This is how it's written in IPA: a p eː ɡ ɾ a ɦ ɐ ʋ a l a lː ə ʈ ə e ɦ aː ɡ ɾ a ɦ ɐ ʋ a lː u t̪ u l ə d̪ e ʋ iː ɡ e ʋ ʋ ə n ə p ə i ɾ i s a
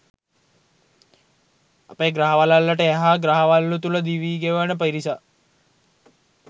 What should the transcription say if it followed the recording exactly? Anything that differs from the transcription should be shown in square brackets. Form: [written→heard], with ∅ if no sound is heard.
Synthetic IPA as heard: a p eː ɡ ɾ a ɦ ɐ ʋ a l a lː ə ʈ ə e ɦ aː ɡ ɾ a ɦ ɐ ʋ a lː u t̪ u l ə d̪ [e→i] ʋ iː ɡ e ʋ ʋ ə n ə p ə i ɾ i s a